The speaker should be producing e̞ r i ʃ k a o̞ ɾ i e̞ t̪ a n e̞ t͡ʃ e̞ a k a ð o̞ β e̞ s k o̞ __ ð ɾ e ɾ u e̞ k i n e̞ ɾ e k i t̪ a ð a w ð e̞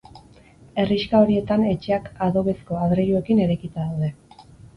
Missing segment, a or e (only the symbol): a